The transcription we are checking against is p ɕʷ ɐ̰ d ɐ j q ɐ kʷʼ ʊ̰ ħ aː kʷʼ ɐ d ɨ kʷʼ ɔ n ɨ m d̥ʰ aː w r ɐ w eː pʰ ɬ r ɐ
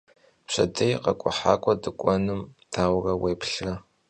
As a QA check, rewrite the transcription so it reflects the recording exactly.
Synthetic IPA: p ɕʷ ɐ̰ d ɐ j q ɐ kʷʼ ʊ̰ ħ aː kʷʼ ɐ d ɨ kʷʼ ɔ n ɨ m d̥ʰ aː w r ɐ w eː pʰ ɬ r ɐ